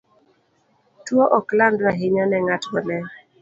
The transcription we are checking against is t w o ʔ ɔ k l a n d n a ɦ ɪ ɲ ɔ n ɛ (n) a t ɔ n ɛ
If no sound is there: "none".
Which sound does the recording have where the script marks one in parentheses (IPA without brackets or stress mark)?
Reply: ŋ